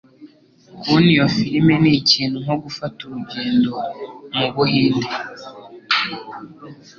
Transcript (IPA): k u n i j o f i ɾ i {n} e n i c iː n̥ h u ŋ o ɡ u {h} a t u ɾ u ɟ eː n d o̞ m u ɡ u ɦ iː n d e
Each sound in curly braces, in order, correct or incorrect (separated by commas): incorrect, incorrect